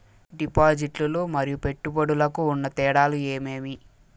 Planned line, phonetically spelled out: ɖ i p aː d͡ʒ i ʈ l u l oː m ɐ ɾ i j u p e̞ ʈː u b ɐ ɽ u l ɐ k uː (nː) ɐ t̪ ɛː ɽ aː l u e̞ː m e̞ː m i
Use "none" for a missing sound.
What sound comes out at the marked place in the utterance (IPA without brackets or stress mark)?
nː